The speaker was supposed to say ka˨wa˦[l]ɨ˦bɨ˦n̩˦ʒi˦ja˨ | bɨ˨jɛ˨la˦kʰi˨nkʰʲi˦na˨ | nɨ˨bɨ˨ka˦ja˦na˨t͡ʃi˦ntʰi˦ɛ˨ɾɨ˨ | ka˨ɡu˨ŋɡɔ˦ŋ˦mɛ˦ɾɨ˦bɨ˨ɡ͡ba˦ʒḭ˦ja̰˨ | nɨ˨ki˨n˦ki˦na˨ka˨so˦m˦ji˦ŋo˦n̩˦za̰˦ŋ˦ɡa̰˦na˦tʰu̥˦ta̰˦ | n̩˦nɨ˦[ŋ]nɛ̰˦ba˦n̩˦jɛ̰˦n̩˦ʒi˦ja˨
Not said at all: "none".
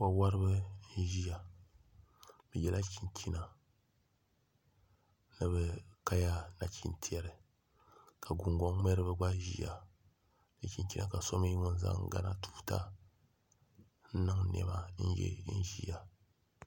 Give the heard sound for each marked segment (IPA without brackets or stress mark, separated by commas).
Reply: ɾ, ŋ